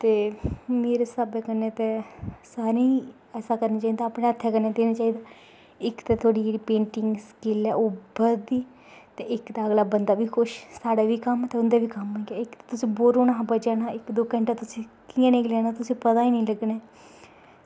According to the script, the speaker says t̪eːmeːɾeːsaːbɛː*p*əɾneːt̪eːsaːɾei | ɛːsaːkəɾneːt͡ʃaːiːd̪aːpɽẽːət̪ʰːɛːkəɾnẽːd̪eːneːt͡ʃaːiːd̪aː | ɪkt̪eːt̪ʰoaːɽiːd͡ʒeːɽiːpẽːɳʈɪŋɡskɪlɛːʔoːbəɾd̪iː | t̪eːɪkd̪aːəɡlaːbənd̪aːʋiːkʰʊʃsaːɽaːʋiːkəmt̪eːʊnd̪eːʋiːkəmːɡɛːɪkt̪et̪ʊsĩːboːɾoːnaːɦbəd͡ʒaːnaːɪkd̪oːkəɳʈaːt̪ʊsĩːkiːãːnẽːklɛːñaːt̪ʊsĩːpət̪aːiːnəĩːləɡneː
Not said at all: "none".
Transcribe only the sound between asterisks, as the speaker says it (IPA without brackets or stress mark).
k